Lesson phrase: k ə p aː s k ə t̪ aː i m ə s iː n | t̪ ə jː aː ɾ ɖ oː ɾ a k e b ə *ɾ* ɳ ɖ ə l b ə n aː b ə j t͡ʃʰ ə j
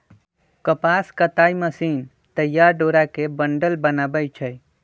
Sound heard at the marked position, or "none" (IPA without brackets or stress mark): none